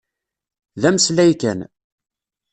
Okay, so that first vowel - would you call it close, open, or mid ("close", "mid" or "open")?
open